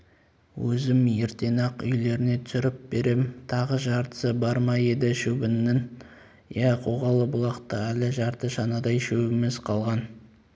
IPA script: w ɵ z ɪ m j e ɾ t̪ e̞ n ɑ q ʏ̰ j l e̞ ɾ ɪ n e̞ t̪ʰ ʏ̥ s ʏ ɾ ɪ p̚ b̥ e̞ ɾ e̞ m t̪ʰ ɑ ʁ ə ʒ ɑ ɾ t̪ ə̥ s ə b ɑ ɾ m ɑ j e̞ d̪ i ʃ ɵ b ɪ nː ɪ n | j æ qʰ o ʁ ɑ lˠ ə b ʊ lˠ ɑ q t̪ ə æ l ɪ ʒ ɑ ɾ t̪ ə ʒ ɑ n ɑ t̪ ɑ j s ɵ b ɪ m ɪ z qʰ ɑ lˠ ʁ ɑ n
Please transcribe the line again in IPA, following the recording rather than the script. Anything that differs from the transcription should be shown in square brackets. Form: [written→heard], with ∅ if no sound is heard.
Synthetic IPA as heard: w ɵ z ɪ m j e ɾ t̪ e̞ n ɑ q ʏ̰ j l e̞ ɾ ɪ n e̞ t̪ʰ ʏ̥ s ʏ ɾ ɪ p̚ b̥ e̞ ɾ e̞ m t̪ʰ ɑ ʁ ə ʒ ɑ ɾ t̪ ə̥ s ə b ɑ ɾ m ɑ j e̞ d̪ [i→ɪ] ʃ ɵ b ɪ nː ɪ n | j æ qʰ o ʁ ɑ lˠ ə b ʊ lˠ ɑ q t̪ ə æ l ɪ ʒ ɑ ɾ t̪ ə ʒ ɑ n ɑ [t̪→d̪] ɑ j [s→ʃ] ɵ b ɪ m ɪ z qʰ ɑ lˠ ʁ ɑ n